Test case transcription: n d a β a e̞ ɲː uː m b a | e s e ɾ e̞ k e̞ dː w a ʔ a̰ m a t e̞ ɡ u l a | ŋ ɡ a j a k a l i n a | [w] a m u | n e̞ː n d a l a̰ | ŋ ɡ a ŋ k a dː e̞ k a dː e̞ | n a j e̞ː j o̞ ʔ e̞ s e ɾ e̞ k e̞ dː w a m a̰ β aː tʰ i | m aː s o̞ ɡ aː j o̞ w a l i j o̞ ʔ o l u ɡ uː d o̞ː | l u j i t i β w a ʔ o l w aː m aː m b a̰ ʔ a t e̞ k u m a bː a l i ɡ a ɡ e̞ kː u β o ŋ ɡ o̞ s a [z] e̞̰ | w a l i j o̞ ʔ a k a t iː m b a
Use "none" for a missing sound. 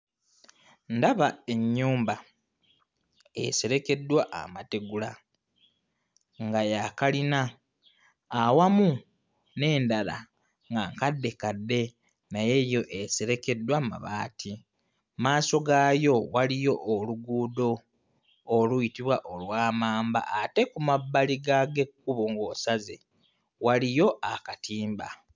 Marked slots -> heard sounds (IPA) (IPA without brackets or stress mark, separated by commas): w, z